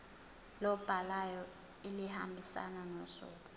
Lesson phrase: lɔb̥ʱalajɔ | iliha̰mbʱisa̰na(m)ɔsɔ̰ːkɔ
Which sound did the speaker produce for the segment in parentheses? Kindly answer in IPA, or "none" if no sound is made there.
n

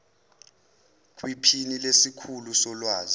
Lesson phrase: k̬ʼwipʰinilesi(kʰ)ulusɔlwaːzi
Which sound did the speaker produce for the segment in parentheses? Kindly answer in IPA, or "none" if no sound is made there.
kʰ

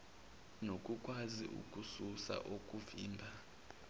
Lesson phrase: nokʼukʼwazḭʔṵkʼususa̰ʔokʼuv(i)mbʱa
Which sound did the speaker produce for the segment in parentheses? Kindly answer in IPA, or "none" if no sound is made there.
iː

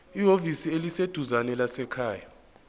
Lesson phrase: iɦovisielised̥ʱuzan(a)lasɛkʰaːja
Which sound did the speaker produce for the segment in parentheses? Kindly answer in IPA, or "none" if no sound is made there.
ɛ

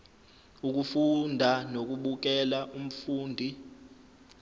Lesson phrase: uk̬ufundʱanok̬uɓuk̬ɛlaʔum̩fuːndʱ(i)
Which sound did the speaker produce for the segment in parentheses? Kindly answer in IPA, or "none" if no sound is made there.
i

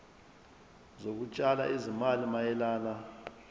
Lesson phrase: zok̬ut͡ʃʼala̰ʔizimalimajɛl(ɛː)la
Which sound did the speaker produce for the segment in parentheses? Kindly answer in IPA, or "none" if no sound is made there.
aː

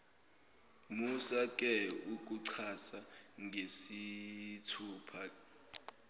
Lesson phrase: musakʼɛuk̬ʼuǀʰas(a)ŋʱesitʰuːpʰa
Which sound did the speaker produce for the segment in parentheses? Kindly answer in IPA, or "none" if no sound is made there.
a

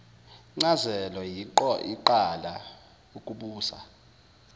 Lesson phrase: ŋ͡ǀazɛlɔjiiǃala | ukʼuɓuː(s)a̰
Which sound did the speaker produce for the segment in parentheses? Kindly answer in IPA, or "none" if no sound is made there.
s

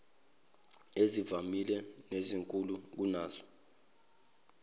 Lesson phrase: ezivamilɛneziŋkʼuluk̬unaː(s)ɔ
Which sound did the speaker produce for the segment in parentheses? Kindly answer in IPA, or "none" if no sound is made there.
z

